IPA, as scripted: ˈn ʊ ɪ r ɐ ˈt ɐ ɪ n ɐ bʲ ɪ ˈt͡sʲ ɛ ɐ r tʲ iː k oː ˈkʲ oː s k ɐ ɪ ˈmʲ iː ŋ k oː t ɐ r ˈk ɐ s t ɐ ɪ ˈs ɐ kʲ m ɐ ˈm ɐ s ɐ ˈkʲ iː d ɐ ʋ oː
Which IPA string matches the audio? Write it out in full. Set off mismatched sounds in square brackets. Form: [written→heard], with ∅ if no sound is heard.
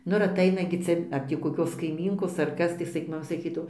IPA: ˈn ʊ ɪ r ɐ ˈt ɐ ɪ n ɐ [bʲ→ɡʲ] ɪ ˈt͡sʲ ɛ ɐ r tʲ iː k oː ˈkʲ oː s k ɐ ɪ ˈmʲ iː ŋ k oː [t→s] ɐ r ˈk ɐ s t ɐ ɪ ˈs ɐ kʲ m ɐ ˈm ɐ s ɐ ˈkʲ iː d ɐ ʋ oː